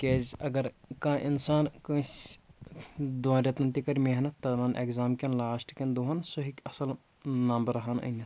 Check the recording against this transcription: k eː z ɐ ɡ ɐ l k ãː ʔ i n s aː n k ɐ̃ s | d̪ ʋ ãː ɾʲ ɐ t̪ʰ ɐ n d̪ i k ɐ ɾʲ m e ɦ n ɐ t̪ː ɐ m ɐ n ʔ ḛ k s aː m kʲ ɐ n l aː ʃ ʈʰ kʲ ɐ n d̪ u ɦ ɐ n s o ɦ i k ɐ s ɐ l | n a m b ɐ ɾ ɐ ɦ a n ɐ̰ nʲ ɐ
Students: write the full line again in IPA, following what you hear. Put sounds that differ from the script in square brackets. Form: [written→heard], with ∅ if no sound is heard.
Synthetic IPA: k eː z ɐ ɡ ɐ [l→ɾ] k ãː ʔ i n s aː n k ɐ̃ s | d̪ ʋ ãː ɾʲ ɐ [t̪ʰ→t̪] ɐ n [d̪→t̪] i k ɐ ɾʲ m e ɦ n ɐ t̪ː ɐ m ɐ n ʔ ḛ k [s→z] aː m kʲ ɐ n l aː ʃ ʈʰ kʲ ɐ n d̪ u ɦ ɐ n s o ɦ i k ɐ s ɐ l | n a m b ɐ ɾ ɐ ɦ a n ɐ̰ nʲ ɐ